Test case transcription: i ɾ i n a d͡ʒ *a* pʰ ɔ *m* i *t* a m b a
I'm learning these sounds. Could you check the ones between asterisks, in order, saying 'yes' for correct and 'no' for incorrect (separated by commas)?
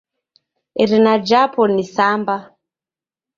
yes, no, no